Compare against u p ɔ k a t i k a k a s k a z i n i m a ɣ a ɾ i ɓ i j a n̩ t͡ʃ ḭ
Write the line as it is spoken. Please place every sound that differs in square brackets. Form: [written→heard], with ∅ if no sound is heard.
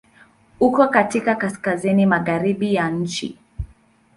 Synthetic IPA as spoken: u [p→k] ɔ k a t i k a k a s k a z i n i m a ɣ a ɾ i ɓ i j a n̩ t͡ʃ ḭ